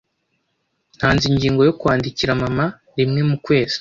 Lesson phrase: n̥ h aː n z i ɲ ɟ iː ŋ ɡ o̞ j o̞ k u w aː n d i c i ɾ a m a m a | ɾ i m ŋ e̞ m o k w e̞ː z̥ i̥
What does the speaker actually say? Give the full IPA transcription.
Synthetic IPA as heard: n̥ h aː n z i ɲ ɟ iː ŋ ɡ o̞ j o̞ k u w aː n d i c i ɾ a m a m a | ɾ i m ŋ e̞ m u k w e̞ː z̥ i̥